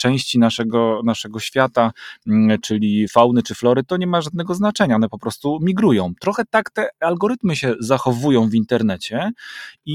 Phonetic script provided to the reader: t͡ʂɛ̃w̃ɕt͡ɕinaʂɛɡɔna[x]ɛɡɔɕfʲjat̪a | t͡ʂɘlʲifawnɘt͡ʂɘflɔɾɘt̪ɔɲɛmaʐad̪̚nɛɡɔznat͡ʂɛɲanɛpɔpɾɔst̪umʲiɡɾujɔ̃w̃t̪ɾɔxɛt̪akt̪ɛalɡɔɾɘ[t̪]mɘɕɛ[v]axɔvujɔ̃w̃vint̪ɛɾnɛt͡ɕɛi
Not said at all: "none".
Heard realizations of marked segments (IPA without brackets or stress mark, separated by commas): ʂ, t̪, z